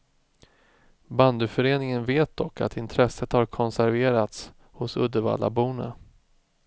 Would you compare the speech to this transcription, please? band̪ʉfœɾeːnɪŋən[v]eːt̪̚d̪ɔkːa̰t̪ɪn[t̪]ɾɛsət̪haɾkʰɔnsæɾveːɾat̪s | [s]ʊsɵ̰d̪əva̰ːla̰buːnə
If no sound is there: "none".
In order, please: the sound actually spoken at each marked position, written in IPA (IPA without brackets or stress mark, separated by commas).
v, t̪ʰ, h